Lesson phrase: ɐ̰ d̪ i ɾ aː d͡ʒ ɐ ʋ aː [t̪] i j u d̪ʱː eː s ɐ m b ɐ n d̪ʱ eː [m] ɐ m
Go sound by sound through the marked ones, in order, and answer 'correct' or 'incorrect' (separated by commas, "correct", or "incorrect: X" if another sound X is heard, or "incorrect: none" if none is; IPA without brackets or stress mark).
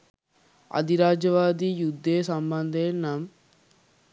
incorrect: d̪, incorrect: n